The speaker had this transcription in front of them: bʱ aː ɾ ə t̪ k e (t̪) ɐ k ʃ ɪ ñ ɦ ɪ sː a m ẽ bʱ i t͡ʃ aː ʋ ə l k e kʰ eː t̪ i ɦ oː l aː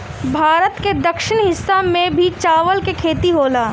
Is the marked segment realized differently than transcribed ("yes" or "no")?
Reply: yes